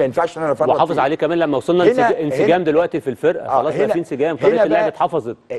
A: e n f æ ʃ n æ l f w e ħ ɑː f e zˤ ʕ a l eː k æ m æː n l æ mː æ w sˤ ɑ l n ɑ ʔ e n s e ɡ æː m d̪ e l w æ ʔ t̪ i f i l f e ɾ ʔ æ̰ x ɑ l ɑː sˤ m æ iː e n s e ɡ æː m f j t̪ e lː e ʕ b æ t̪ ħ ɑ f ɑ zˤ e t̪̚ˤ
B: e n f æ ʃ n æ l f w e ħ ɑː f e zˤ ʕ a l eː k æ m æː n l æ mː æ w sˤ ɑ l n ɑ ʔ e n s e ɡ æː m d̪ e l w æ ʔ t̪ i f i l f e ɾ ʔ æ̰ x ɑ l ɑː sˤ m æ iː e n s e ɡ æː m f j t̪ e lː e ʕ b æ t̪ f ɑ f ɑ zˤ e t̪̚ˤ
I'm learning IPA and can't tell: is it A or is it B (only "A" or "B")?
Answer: A